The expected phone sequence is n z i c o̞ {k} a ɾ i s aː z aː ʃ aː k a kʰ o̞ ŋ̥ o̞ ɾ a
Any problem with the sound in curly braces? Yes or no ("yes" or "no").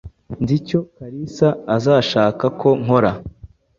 no